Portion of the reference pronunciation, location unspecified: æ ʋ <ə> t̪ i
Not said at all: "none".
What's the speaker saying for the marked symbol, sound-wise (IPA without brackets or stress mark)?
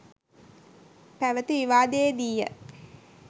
ə